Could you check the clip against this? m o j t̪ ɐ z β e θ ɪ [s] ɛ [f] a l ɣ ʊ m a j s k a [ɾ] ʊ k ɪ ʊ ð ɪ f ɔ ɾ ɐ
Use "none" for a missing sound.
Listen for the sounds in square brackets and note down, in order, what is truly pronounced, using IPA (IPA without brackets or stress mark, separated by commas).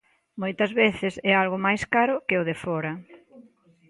s, none, ɾ